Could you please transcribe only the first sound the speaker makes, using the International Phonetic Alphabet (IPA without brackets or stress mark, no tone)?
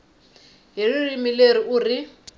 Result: ɦ